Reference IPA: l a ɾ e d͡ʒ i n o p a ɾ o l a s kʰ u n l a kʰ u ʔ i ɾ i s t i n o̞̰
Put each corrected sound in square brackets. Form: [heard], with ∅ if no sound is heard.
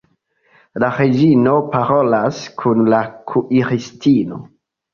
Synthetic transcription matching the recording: l a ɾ e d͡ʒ i n o p a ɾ o l a s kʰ u n l a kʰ u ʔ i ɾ i s t i n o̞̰